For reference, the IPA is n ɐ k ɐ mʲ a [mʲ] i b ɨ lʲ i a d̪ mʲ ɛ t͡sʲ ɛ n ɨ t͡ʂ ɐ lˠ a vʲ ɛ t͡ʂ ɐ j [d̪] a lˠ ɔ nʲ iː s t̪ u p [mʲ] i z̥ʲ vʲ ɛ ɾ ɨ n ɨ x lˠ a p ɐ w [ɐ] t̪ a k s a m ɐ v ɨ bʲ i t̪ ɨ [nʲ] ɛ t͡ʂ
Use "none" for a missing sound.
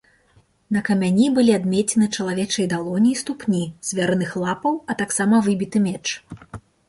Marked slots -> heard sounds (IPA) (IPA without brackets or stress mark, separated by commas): nʲ, d̪, nʲ, ɐ, mʲ